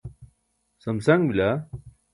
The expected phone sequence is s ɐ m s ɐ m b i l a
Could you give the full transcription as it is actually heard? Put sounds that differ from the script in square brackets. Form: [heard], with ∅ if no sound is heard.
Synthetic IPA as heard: s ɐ m s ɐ [ŋ] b i l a